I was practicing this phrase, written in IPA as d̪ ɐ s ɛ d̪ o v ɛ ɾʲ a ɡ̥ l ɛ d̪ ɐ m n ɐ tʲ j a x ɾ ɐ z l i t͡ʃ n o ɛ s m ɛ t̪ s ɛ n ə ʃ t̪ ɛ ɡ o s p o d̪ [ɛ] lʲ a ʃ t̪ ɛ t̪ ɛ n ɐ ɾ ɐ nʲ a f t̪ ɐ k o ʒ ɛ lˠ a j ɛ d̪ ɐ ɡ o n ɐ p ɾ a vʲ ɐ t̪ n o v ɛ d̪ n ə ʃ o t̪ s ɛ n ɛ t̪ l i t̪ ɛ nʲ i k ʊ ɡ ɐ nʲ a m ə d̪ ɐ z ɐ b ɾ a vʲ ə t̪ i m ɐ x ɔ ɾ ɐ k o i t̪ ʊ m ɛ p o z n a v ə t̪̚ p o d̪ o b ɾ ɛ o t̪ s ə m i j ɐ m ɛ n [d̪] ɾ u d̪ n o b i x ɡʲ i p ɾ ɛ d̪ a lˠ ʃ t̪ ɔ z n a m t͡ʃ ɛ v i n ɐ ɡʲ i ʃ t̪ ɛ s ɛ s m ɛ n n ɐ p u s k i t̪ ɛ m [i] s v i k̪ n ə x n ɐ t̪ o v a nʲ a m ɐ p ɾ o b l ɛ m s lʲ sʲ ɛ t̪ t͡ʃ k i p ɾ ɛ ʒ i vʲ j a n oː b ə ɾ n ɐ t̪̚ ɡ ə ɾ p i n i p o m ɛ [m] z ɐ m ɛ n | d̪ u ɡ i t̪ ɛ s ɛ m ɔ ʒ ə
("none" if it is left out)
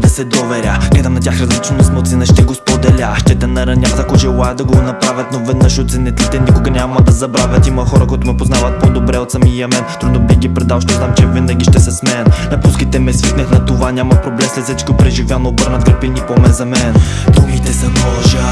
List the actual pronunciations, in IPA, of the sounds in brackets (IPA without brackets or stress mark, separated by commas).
ɛ, t̪, ɛ, n